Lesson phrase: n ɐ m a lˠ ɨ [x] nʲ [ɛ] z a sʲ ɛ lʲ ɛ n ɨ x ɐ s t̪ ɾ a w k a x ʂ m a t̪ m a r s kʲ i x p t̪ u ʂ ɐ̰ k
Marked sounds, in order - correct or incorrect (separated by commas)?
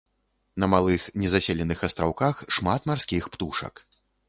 correct, correct